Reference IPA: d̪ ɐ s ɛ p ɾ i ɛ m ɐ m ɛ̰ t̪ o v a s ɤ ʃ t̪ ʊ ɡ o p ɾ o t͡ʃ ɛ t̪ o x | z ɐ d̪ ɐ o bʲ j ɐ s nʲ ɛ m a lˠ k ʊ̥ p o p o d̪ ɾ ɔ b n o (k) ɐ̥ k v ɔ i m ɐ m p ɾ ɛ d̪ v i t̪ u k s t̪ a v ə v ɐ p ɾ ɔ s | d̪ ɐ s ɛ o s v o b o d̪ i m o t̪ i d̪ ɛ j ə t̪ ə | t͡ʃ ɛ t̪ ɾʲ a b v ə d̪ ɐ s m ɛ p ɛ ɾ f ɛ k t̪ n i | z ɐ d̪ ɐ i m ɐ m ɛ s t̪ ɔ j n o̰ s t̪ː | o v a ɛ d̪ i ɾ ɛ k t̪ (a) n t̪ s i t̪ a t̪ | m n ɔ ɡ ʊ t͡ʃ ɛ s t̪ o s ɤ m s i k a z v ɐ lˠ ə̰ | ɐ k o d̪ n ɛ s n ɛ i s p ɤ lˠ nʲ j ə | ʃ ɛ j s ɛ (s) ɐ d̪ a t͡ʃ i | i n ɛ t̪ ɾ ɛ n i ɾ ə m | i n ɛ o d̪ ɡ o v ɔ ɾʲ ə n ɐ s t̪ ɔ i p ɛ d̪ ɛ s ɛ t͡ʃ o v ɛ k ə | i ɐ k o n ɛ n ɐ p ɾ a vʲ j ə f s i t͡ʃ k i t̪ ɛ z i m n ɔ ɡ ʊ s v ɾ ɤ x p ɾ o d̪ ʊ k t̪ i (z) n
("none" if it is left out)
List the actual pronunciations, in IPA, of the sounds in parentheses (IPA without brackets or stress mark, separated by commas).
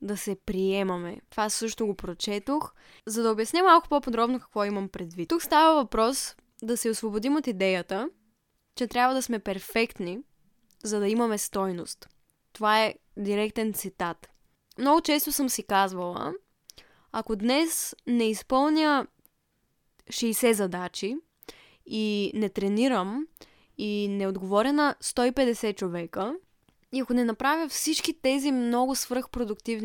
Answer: k, ɛ, z, v